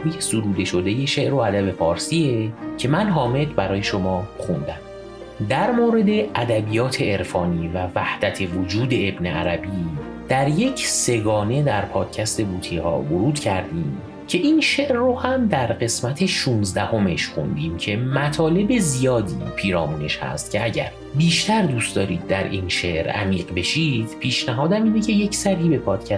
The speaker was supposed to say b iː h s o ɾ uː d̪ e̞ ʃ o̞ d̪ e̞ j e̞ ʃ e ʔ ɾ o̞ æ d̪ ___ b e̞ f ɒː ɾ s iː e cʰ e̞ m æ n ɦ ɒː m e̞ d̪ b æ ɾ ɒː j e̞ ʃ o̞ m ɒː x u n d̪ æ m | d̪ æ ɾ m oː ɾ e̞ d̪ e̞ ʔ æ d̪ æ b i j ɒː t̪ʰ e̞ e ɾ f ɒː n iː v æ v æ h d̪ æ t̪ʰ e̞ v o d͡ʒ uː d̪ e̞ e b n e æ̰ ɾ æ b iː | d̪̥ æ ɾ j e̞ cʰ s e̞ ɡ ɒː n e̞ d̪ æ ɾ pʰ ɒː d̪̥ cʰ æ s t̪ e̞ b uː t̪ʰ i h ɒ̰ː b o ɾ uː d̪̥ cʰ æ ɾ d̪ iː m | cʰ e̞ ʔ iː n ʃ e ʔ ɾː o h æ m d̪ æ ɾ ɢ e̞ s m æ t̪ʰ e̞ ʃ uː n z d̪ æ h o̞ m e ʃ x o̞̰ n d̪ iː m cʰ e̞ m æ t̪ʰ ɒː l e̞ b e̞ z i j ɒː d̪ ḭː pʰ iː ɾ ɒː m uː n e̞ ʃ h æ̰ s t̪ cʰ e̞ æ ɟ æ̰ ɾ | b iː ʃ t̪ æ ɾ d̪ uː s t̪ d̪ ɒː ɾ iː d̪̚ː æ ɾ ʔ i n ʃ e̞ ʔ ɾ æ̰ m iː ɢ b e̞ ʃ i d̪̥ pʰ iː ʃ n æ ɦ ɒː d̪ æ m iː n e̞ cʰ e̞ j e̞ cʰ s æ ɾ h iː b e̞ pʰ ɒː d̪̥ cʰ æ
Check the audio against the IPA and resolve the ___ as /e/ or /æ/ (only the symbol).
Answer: æ